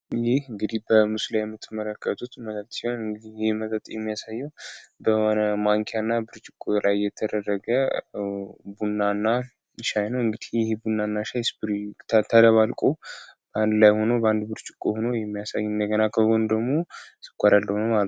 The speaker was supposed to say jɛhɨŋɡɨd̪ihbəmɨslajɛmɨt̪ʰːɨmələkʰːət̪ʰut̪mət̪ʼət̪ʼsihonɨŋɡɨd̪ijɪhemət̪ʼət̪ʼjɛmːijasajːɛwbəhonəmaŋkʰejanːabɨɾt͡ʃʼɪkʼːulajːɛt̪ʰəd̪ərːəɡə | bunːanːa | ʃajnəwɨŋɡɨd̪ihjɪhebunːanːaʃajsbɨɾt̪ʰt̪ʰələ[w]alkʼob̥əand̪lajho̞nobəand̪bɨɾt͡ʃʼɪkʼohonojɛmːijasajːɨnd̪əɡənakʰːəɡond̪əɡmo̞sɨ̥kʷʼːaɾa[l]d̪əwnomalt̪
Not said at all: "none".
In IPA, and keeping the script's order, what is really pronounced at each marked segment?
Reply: β, l

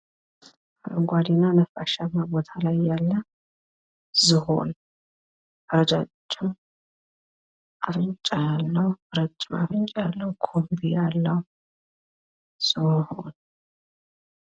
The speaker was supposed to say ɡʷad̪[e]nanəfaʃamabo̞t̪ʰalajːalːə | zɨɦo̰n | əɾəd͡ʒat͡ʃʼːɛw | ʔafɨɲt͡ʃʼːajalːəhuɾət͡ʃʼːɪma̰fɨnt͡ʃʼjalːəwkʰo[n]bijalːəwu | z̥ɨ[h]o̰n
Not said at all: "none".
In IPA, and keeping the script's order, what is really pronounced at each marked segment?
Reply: i, m, h

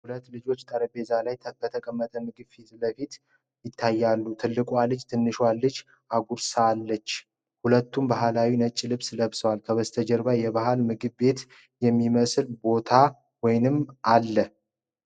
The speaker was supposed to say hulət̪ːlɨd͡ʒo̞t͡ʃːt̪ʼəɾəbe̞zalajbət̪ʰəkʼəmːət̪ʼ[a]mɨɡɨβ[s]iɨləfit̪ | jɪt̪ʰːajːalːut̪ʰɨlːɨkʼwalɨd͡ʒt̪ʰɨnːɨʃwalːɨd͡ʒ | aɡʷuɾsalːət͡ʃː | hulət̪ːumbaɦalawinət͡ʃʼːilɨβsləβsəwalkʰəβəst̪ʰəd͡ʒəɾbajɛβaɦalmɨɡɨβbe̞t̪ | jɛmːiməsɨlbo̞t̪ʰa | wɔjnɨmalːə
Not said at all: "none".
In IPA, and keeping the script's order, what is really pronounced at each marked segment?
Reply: ə, f

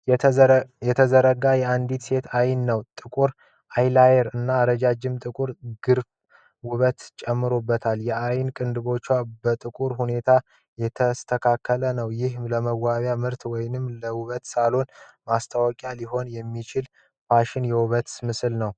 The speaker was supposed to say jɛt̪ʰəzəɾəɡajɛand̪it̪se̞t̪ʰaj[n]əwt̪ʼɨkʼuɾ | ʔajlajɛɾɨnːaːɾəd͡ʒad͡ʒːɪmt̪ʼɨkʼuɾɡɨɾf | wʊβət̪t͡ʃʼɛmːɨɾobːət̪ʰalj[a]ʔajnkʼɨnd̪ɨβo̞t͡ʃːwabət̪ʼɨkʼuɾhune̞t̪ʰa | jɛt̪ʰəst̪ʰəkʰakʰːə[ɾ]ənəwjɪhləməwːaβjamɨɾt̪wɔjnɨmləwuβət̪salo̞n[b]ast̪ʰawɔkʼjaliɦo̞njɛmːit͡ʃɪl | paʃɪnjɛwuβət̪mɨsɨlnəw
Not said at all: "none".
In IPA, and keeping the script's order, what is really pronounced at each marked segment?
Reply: nː, ɛ, l, m

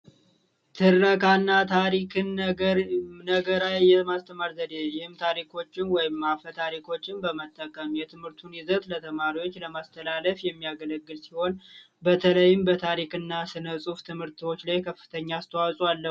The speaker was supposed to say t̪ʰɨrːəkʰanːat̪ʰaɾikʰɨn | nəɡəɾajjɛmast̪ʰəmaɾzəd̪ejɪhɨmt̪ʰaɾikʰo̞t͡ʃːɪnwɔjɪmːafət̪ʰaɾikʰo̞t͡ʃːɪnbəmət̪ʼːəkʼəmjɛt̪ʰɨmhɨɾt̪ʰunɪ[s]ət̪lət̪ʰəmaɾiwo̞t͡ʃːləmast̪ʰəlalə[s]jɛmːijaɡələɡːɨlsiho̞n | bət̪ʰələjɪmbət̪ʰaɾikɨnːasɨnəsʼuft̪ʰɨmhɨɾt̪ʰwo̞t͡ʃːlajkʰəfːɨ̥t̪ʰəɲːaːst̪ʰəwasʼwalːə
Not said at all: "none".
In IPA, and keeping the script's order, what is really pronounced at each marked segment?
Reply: z, f

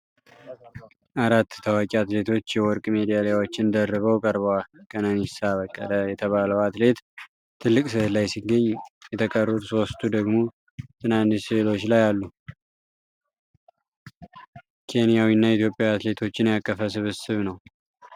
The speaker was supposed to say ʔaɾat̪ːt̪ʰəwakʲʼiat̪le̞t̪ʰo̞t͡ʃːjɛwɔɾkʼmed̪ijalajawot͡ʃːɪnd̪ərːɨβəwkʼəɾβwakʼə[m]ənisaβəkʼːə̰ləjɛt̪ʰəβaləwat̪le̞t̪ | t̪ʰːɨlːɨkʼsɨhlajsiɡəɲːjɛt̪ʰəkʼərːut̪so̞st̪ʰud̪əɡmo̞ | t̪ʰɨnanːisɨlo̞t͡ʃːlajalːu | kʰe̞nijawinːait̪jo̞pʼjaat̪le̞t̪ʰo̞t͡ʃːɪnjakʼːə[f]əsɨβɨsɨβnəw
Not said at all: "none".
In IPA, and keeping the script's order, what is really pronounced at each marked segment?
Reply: n, f

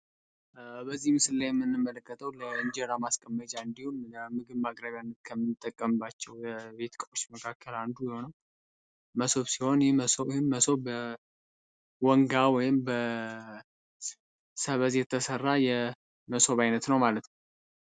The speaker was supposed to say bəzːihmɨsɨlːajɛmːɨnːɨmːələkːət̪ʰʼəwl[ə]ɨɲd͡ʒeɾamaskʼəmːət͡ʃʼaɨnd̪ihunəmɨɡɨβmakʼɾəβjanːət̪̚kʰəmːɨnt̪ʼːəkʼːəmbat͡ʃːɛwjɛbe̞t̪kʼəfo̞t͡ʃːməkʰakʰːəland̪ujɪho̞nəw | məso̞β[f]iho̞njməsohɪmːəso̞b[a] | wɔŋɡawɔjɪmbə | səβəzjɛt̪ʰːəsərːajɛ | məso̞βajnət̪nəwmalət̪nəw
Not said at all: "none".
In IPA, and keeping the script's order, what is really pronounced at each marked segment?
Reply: ə, s, ə

